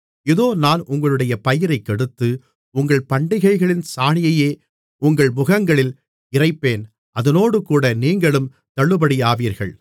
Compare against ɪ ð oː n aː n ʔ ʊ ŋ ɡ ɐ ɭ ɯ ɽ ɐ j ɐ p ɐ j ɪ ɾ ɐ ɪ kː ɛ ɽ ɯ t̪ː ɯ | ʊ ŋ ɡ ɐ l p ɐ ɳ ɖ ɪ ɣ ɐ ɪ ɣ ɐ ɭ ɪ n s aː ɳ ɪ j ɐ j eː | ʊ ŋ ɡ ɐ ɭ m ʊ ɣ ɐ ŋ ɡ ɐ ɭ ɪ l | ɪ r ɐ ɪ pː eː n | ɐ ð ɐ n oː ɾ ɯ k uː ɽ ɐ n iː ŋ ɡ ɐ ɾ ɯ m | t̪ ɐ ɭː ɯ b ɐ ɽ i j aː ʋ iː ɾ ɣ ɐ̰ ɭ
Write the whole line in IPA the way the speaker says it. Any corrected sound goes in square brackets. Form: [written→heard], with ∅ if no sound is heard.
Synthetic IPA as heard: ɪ ð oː n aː n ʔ ʊ ŋ ɡ ɐ ɭ ɯ ɽ ɐ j ɐ p ɐ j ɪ ɾ ɐ ɪ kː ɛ ɽ ɯ t̪ː ɯ | ʊ ŋ ɡ ɐ [l→ɭ] p ɐ ɳ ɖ ɪ ɣ ɐ ɪ ɣ ɐ ɭ ɪ n s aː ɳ ɪ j ɐ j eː | ʊ ŋ ɡ ɐ ɭ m ʊ ɣ ɐ ŋ ɡ ɐ ɭ ɪ l | ɪ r ɐ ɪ pː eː n | ɐ ð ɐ n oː [ɾ→ɽ] ɯ k uː ɽ ɐ n iː ŋ ɡ ɐ [ɾ→ɭ] ɯ m | t̪ ɐ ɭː ɯ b ɐ ɽ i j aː ʋ iː ɾ ɣ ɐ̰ ɭ